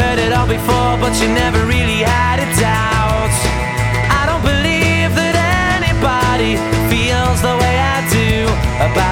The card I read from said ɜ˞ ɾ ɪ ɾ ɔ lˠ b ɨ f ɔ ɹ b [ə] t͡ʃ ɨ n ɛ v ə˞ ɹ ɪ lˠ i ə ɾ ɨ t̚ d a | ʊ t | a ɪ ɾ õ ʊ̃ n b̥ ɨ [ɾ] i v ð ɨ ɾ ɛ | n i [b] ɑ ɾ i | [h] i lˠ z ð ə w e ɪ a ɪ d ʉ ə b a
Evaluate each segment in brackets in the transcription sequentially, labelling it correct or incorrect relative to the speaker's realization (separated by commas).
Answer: incorrect, incorrect, correct, incorrect